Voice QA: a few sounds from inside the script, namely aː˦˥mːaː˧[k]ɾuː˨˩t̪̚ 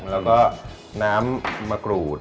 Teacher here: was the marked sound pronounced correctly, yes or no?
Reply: yes